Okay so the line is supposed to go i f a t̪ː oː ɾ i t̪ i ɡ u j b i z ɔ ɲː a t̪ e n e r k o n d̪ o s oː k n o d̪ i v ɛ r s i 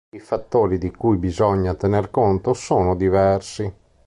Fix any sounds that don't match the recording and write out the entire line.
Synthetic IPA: i f a t̪ː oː ɾ i d̪ i k u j b i z ɔ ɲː a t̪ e n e r k o n t̪ o s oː n o d̪ i v ɛ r s i